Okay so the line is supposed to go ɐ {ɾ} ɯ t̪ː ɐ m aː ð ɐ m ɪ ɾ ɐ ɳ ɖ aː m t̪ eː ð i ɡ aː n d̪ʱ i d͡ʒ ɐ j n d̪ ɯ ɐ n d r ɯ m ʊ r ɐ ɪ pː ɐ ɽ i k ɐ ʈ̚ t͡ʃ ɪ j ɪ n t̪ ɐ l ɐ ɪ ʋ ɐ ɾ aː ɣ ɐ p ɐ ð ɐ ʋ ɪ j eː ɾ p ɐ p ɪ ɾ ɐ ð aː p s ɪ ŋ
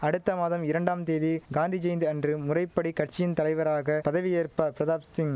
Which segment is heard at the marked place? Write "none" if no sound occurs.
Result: ɽ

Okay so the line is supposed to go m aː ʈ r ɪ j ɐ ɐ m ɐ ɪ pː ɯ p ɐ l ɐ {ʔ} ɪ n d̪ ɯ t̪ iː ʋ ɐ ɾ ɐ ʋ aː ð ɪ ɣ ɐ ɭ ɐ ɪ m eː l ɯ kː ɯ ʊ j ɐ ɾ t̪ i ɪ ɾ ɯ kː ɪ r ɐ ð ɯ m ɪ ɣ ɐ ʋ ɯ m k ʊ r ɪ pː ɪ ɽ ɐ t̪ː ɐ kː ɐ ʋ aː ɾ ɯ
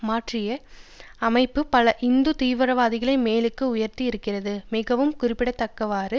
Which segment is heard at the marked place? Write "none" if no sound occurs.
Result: ʔ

